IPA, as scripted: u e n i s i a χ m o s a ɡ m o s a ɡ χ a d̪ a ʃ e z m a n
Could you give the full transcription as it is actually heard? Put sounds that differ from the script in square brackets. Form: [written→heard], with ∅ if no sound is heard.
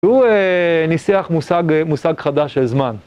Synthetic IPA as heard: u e n i s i a χ m [o→u] s a ɡ m [o→u] s a ɡ χ a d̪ a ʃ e z m a n